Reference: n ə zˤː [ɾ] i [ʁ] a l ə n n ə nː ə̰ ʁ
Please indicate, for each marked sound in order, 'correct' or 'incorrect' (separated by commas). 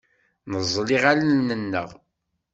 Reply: incorrect, correct